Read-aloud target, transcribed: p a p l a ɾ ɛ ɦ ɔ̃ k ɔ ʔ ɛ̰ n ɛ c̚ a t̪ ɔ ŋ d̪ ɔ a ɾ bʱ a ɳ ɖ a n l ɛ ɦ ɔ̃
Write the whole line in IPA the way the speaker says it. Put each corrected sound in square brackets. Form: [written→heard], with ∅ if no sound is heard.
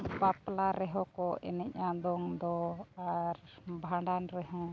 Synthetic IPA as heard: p a p l a ɾ ɛ ɦ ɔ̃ k ɔ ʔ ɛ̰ n ɛ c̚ a [t̪→d̪] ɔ ŋ d̪ ɔ a ɾ bʱ a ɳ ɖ a n [l→ɾ] ɛ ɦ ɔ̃